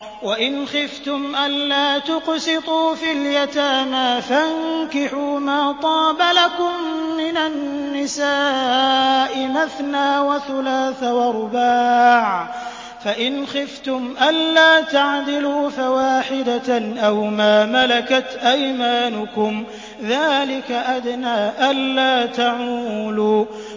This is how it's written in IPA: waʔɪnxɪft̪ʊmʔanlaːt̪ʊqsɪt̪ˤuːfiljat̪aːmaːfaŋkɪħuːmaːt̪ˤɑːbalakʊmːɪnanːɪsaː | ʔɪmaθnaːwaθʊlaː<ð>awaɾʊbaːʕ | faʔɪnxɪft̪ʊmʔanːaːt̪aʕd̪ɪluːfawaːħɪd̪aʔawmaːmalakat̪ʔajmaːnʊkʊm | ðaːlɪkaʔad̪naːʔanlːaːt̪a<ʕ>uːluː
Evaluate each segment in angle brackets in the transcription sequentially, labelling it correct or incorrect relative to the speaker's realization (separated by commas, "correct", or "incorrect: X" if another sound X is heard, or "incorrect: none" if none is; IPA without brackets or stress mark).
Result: incorrect: θ, correct